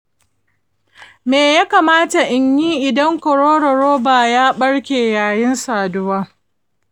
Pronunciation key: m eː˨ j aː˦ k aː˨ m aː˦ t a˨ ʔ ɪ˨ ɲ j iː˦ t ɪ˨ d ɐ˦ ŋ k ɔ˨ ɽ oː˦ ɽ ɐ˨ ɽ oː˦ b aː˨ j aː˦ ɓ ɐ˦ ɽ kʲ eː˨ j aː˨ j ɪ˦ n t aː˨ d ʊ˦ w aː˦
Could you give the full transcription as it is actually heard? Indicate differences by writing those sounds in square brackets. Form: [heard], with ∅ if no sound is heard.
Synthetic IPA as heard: m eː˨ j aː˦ k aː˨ m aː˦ t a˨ ʔ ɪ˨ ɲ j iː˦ [ʔ] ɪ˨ d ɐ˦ ŋ k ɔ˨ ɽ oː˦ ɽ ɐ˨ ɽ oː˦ b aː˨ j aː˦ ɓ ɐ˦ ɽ kʲ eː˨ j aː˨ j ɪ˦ n [s] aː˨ d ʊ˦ w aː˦